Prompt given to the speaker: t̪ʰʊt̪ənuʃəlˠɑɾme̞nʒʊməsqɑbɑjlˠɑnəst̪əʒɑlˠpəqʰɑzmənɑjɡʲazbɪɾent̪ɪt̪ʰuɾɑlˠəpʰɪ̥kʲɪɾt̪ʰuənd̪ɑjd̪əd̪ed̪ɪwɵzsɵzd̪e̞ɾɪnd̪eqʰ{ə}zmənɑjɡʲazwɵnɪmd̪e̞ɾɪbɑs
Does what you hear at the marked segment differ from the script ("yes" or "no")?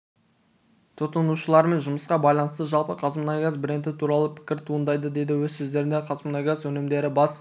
yes